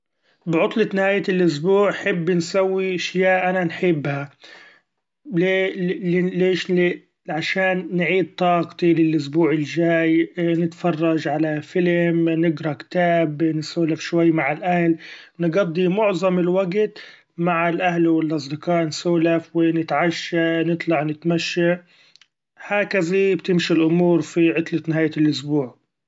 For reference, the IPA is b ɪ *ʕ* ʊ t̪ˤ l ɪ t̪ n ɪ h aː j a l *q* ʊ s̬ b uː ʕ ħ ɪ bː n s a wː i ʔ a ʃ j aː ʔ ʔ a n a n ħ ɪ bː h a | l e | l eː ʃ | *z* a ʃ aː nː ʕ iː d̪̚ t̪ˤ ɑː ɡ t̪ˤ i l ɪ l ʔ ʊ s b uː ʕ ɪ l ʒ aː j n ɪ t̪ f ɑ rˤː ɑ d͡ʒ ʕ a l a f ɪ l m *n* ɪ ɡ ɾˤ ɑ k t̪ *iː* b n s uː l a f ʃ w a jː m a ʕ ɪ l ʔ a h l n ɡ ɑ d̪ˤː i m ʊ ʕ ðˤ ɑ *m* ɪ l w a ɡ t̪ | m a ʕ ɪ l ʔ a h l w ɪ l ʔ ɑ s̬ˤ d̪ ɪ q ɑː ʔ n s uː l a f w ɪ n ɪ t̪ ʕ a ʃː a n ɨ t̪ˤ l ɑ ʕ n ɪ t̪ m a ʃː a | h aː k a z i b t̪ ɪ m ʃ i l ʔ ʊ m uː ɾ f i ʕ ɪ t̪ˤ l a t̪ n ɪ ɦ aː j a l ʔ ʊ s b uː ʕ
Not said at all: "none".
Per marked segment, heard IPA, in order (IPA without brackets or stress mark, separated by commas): ʕ, ʔ, ʕ, n, aː, m